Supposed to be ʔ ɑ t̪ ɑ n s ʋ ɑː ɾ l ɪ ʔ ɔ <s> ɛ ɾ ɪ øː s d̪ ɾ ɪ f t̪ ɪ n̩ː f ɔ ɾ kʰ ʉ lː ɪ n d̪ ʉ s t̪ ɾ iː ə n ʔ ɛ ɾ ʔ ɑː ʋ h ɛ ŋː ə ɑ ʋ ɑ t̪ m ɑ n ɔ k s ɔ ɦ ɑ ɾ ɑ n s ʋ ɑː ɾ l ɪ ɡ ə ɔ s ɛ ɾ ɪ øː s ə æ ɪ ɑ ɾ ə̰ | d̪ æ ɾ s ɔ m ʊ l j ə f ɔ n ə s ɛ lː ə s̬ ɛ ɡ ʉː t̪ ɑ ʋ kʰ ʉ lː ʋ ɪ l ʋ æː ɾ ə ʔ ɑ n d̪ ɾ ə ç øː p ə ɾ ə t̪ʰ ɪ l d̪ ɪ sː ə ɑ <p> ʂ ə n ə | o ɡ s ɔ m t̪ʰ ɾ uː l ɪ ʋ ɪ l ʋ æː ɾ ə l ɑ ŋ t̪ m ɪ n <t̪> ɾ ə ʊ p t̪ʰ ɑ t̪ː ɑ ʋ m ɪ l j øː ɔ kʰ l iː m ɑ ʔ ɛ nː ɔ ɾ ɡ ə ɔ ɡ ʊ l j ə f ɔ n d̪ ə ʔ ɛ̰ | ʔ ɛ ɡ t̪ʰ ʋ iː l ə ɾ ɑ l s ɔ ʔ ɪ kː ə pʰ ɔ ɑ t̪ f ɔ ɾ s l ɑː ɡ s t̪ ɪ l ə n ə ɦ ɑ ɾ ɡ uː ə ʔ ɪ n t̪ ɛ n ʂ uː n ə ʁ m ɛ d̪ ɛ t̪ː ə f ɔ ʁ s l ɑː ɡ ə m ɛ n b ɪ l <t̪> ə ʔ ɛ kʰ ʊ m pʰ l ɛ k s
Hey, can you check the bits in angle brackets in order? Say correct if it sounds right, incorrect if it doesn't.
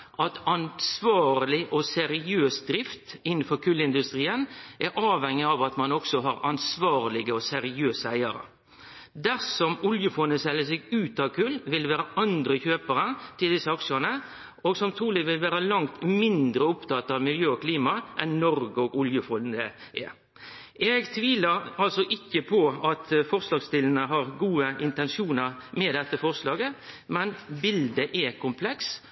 correct, incorrect: k, incorrect: d̪, incorrect: d̪

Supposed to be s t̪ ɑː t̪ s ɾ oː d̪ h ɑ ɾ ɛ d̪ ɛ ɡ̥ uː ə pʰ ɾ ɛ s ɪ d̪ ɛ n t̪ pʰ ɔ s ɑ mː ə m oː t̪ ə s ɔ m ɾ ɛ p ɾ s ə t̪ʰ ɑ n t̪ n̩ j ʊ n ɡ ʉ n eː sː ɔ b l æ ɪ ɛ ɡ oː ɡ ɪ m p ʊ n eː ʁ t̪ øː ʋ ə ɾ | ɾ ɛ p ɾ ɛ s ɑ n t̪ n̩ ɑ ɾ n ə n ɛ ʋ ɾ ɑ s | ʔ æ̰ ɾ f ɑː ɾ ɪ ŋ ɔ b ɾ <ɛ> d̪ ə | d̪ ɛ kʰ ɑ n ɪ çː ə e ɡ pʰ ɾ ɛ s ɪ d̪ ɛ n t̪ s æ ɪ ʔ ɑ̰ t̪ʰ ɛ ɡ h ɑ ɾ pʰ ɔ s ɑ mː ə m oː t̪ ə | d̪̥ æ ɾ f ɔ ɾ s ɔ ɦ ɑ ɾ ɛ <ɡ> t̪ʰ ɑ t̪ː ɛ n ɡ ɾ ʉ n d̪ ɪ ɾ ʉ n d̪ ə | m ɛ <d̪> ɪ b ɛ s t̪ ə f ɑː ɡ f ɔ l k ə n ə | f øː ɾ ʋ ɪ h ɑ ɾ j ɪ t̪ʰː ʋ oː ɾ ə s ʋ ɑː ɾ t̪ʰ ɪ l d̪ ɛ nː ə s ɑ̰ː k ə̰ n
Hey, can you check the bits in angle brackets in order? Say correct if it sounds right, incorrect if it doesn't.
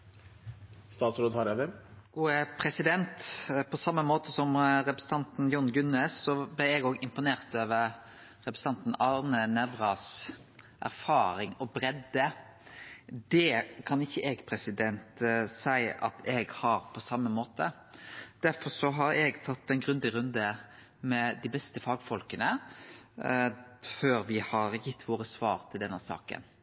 correct, correct, correct

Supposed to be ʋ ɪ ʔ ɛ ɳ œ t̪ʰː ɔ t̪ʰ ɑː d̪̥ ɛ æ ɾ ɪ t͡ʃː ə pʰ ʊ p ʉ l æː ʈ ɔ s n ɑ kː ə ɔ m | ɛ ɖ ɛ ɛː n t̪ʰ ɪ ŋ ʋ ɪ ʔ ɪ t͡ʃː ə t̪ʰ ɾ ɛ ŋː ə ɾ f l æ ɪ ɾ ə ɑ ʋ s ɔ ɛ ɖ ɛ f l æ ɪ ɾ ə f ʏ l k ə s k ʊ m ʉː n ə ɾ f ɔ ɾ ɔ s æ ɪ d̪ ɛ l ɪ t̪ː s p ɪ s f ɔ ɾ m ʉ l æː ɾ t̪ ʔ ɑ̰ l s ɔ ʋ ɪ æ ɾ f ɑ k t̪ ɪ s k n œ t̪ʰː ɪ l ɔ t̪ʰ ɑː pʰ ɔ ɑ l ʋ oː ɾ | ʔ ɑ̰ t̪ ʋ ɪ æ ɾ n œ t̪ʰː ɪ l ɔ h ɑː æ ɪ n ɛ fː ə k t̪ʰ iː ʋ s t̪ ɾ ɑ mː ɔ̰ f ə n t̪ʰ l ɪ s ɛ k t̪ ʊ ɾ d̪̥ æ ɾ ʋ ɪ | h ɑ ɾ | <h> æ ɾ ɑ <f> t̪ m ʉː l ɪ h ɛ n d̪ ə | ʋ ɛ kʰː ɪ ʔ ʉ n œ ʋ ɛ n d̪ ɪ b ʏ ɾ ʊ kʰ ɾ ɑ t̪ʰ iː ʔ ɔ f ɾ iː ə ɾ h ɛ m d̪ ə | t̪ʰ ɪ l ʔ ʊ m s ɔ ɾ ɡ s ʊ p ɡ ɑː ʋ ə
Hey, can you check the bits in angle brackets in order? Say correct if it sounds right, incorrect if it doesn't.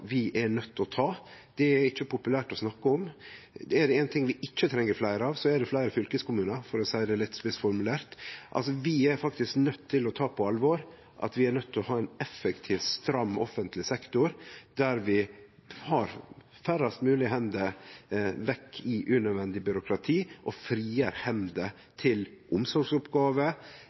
incorrect: f, incorrect: s

